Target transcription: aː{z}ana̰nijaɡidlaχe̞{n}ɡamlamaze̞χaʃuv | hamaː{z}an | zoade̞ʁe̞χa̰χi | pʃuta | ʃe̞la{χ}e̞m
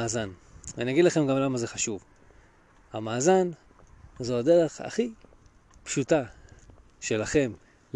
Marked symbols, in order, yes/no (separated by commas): yes, no, yes, yes